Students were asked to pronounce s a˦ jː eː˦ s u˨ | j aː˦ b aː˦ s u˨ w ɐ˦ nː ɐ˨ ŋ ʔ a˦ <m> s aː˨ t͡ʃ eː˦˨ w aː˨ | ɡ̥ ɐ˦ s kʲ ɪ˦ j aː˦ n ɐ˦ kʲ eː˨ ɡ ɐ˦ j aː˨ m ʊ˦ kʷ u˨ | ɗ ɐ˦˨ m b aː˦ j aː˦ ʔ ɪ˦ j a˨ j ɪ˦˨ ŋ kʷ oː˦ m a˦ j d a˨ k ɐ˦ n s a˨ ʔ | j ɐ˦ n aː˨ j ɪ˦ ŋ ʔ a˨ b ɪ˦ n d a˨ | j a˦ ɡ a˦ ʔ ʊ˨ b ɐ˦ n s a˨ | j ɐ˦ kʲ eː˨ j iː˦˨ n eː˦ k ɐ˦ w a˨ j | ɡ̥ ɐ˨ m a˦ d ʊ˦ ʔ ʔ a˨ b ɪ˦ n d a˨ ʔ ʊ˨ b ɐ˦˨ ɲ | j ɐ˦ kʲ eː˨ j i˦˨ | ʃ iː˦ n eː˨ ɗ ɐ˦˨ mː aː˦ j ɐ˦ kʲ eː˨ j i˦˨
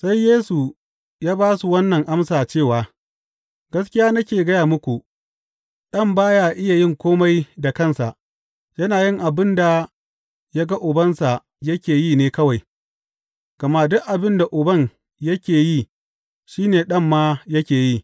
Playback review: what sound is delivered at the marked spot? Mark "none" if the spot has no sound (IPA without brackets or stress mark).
m